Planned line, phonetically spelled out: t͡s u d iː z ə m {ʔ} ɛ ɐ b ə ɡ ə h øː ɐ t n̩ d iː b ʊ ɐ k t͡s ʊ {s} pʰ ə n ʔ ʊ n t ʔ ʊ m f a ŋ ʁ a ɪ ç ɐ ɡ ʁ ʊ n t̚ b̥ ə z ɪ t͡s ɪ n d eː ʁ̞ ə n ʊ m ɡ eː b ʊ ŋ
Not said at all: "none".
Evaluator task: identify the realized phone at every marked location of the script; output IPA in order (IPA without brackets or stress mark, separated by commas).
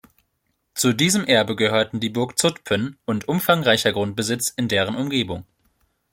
ʔ, t